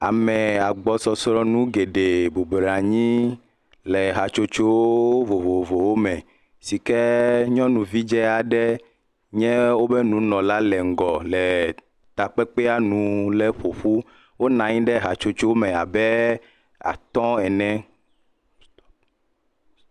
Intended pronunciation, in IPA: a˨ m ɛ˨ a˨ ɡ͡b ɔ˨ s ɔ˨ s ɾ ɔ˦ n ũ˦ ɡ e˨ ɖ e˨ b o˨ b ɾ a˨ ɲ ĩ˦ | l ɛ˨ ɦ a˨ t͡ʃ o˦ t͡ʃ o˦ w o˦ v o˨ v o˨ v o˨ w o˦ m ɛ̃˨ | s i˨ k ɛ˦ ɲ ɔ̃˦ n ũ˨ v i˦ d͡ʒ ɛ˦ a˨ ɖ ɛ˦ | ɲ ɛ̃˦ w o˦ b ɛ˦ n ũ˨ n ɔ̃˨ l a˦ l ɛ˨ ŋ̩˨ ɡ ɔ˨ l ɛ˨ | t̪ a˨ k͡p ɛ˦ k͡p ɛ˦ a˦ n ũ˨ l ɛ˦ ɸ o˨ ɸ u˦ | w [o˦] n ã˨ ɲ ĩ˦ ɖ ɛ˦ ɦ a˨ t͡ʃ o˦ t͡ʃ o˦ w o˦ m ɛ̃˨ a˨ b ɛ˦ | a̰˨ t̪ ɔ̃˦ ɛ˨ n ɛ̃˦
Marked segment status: correct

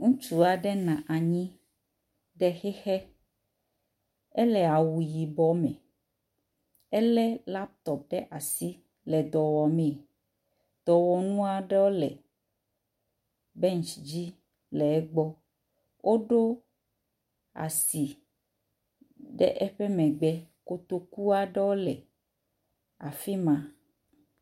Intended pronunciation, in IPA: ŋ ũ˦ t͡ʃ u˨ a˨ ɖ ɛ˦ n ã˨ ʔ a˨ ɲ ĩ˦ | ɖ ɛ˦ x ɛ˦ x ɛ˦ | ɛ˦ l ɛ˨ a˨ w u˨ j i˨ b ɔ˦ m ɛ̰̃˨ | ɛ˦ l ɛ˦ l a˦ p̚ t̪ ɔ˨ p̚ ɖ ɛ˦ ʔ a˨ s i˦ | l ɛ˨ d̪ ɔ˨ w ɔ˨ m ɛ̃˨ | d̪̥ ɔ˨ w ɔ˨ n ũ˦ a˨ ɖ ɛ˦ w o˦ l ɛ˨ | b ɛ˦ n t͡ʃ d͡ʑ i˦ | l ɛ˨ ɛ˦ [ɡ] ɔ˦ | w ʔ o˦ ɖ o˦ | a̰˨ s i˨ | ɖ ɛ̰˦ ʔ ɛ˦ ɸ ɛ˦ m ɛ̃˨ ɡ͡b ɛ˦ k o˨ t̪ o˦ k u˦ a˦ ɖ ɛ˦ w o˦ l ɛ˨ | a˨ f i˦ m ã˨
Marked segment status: incorrect: ɡ͡b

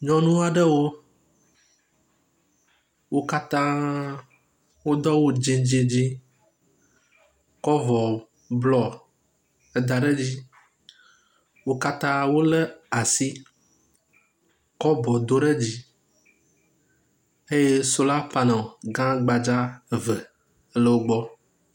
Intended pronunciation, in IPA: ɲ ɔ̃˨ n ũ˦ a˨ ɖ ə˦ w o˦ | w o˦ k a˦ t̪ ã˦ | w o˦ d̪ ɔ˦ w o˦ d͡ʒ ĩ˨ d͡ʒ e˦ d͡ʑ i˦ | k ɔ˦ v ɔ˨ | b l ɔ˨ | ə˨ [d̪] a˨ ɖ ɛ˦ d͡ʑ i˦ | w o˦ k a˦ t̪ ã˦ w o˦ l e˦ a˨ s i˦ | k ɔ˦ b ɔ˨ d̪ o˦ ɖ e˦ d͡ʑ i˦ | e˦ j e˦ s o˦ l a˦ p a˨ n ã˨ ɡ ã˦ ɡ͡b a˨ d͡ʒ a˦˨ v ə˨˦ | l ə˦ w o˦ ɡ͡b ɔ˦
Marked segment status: correct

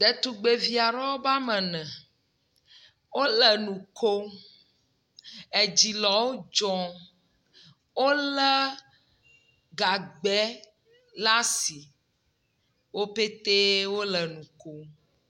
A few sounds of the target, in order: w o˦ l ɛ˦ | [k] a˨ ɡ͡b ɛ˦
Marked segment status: incorrect: ɡ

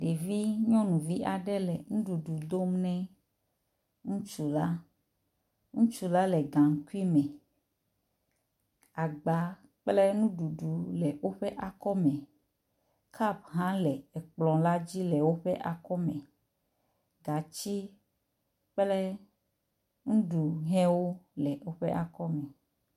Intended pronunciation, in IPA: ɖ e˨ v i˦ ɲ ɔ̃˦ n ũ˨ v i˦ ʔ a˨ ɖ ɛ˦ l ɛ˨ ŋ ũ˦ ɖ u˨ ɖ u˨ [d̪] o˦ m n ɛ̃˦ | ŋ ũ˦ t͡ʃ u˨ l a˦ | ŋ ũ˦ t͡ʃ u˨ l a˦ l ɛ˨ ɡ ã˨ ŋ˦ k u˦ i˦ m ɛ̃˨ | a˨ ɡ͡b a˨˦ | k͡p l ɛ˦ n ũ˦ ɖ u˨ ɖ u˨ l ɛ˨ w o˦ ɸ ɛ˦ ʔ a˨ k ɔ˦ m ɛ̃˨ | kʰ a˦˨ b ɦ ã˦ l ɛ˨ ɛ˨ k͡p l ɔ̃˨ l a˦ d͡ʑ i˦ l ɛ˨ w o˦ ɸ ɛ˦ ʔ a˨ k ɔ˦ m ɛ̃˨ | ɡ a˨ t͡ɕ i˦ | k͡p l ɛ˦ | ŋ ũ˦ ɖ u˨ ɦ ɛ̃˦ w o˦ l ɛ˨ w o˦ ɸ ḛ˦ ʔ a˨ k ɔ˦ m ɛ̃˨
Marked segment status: correct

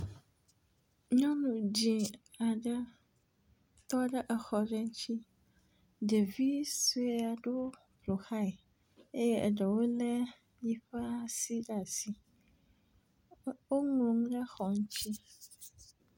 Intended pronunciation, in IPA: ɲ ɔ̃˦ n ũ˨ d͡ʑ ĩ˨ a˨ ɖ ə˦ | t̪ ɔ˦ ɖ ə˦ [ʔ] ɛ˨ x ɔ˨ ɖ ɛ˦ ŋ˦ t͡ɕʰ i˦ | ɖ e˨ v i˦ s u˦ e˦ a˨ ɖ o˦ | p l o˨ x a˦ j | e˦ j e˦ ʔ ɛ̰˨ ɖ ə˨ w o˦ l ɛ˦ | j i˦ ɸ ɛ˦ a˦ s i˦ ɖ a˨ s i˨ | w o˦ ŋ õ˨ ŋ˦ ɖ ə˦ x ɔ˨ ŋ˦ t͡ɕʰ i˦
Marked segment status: correct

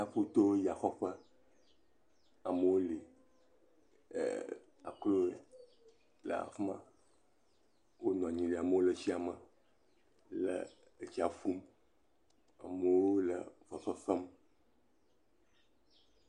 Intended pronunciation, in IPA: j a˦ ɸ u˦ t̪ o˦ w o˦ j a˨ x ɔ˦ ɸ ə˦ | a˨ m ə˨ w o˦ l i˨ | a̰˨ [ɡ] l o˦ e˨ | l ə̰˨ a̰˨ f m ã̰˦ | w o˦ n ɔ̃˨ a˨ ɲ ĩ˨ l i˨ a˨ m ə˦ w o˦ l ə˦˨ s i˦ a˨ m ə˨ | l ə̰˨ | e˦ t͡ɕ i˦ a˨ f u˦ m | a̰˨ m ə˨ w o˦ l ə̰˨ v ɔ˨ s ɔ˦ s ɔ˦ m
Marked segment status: incorrect: k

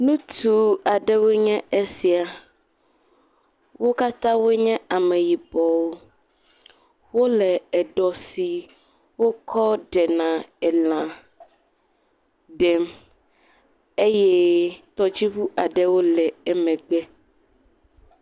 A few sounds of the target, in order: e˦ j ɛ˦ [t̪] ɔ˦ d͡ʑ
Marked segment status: correct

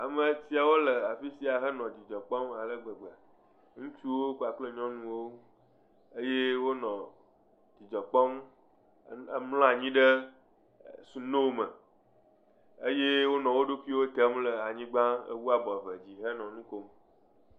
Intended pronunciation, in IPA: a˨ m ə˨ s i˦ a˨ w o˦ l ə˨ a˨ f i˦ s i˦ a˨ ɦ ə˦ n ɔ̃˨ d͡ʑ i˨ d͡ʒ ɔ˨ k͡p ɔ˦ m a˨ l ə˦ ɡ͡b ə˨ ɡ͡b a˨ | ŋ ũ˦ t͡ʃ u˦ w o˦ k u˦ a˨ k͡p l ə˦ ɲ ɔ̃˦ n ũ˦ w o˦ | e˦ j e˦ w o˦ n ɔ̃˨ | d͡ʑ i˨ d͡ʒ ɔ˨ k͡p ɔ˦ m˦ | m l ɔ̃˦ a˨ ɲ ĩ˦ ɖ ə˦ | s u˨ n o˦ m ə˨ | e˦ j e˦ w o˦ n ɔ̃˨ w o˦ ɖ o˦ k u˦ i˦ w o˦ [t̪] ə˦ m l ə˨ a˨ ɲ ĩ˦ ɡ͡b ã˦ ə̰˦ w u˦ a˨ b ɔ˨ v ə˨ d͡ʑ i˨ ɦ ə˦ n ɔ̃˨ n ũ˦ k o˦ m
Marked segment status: correct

